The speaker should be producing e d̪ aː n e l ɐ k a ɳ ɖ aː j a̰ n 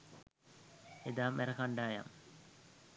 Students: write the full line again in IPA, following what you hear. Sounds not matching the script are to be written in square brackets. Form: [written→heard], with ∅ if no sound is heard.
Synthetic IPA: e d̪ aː [n→m] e [l→ɾ] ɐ k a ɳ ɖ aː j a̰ [n→m]